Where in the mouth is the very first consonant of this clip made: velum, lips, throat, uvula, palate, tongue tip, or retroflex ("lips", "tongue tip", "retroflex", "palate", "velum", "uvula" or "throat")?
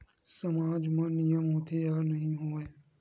tongue tip